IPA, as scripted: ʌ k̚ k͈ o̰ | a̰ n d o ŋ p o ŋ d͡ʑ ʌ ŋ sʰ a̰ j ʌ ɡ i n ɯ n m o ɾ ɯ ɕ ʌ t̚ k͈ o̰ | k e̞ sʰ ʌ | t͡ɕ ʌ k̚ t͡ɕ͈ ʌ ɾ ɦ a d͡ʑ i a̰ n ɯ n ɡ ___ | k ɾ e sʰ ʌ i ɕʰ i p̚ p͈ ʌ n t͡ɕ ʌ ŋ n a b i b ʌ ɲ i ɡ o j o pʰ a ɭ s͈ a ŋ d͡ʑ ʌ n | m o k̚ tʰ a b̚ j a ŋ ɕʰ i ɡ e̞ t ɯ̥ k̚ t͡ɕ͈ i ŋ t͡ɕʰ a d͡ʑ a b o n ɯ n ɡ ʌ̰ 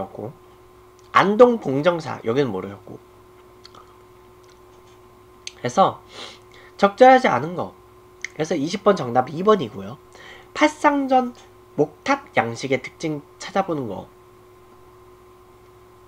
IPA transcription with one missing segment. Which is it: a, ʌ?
ʌ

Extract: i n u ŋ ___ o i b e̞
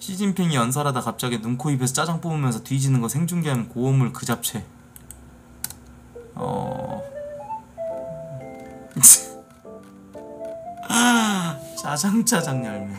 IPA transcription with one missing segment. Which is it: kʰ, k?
kʰ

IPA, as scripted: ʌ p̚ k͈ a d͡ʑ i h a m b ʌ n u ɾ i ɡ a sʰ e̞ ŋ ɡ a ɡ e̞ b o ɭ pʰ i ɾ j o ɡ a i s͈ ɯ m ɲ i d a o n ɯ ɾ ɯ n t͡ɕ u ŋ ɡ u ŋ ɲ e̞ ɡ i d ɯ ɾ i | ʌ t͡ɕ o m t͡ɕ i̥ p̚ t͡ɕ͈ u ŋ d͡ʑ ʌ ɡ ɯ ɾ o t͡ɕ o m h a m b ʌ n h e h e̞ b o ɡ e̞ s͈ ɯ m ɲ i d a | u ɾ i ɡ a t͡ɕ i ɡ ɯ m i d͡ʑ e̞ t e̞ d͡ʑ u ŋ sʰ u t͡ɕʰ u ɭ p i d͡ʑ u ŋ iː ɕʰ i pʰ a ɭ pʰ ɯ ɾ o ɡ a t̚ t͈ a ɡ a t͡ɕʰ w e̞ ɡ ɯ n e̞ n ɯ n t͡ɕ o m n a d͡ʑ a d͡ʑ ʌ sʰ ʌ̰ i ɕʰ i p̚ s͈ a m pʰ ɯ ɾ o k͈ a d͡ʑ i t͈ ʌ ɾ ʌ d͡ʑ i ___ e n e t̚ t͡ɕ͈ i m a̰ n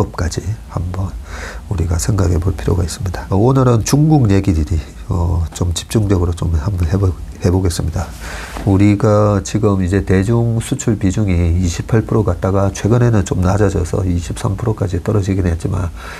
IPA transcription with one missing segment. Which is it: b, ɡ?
ɡ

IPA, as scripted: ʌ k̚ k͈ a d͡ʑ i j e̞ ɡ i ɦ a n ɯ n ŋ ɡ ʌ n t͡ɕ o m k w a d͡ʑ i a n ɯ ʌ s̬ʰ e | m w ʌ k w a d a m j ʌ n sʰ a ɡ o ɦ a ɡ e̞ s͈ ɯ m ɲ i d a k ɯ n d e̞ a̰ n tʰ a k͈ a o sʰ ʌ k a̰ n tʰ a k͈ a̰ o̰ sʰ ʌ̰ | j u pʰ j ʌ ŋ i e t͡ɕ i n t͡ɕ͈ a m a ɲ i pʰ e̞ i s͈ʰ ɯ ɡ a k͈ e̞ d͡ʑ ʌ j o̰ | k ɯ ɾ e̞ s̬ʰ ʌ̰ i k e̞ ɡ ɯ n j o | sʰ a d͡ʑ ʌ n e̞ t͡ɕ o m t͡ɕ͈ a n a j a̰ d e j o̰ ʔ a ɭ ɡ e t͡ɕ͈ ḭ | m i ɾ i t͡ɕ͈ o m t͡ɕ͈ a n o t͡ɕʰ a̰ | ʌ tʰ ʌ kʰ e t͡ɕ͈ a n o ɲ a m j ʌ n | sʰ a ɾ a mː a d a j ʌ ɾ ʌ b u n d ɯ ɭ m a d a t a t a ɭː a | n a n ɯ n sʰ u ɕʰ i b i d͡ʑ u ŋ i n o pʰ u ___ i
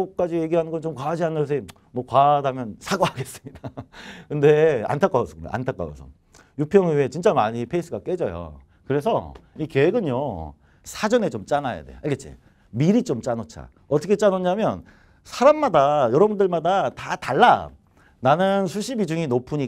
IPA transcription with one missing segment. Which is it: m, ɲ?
ɲ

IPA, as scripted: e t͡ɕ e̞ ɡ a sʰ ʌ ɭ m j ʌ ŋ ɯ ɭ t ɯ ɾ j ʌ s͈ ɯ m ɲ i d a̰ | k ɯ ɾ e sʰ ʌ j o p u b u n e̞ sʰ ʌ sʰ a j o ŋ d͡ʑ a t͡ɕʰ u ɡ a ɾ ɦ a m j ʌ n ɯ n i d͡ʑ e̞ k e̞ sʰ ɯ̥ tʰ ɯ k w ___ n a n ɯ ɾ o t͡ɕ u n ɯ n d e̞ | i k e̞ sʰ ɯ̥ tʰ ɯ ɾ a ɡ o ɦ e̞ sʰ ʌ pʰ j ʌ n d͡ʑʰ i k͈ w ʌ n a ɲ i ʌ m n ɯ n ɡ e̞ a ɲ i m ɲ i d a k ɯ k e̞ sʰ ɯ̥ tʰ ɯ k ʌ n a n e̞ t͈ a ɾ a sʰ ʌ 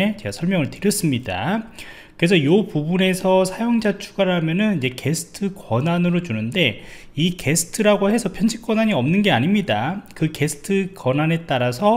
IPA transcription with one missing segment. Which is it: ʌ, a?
ʌ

